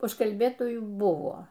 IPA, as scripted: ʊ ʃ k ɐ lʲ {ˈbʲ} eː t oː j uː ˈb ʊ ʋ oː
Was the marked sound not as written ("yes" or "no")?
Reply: no